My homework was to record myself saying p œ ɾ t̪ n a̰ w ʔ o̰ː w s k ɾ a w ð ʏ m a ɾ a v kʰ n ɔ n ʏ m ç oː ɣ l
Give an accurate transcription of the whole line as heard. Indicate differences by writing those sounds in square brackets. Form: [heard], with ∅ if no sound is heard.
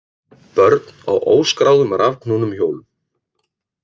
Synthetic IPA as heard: p œ ɾ t̪ n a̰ w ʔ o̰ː w s k ɾ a w ð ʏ m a ɾ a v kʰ n [u] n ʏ m ç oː [w] l